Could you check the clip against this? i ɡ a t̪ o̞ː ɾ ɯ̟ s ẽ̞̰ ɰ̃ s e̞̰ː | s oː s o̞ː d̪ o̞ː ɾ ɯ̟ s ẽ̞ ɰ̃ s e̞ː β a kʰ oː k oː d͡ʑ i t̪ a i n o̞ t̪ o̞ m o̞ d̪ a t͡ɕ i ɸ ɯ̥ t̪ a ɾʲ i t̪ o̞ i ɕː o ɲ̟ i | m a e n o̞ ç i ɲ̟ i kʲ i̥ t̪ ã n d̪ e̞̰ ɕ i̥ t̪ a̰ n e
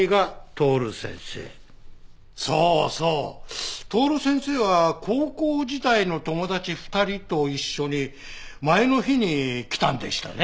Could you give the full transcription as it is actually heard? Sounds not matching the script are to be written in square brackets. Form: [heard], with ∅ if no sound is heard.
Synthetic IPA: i ɡ a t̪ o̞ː ɾ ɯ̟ s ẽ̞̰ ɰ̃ s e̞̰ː | s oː s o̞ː [t̪] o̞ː ɾ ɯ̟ s ẽ̞ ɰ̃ s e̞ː β a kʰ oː k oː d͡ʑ i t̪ a i n o̞ t̪ o̞ m o̞ d̪ a t͡ɕ i ɸ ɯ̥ t̪ a ɾʲ i t̪ o̞ i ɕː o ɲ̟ i | m a e n o̞ ç i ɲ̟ i kʲ i̥ t̪ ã n d̪ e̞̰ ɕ i̥ t̪ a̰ n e

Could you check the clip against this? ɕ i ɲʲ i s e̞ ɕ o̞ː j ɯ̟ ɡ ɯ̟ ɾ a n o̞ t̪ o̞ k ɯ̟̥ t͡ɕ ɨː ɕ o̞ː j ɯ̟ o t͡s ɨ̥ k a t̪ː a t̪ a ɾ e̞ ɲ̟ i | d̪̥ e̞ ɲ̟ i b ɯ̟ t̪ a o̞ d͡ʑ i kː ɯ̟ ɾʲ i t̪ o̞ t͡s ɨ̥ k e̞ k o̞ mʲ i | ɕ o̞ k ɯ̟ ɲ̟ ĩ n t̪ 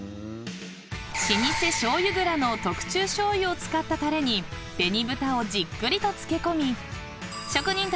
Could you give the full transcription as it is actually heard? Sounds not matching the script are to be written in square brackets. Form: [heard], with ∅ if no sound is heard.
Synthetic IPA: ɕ i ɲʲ i s e̞ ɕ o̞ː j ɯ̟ ɡ ɯ̟ ɾ a n o̞ t̪ o̞ k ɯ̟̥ t͡ɕ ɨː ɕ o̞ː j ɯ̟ o t͡s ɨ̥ k a t̪ː a t̪ a ɾ e̞ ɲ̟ i | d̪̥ e̞ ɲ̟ i b ɯ̟ t̪ a o̞ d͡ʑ i kː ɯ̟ ɾʲ i t̪ o̞ t͡s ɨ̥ k e̞ k o̞ mʲ i | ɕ o̞ k ɯ̟ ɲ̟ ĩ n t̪

